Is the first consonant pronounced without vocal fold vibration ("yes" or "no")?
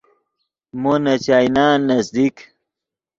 no